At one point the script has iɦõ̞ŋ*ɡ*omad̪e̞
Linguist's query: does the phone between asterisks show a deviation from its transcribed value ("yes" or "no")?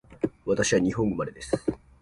no